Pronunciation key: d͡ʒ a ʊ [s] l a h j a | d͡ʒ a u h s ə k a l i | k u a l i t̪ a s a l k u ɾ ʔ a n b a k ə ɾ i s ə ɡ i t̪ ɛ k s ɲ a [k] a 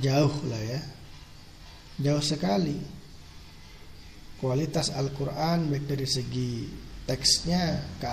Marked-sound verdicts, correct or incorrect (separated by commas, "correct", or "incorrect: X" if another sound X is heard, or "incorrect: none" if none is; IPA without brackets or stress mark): incorrect: h, correct